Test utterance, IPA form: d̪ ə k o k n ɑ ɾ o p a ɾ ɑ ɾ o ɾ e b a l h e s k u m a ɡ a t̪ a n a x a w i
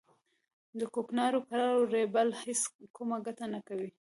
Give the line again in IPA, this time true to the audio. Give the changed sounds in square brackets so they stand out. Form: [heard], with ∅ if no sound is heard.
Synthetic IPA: d̪ ə k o k n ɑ ɾ o [k] a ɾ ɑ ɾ o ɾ e b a l h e s k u m a ɡ a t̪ a n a [k] a w i